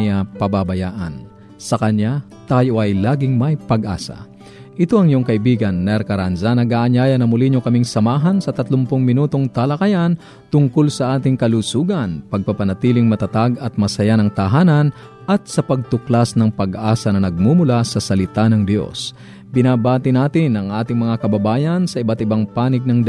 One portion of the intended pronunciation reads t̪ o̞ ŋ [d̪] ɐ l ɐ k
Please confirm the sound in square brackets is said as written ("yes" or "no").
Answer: no